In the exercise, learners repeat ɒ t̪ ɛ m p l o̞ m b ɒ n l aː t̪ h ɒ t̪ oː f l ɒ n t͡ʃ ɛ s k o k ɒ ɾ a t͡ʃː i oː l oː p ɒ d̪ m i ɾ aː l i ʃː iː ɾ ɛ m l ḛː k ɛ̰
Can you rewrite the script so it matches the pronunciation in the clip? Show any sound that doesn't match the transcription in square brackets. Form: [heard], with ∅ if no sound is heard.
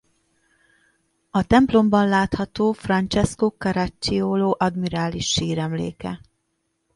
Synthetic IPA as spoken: ɒ t̪ ɛ m p l o̞ m b ɒ n l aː t̪ h ɒ t̪ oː f [r] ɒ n t͡ʃ ɛ s k o k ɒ ɾ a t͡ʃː i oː l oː [ʔ] ɒ d̪ m i ɾ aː l i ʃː iː ɾ ɛ m l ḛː k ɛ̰